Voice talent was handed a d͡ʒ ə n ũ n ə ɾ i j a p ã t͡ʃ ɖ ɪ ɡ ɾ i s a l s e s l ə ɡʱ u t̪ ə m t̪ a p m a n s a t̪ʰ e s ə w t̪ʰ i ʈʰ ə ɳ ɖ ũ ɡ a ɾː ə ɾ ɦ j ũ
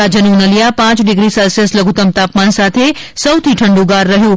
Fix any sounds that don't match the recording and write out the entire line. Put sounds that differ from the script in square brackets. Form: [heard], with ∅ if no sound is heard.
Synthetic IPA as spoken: a d͡ʒ ə n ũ n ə [l] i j a p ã t͡ʃ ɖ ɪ ɡ ɾ i s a l s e s l ə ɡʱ u t̪ ə m t̪ a p m a n s a t̪ʰ e s ə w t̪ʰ i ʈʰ ə ɳ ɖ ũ ɡ a ɾː ə [∅] ɦ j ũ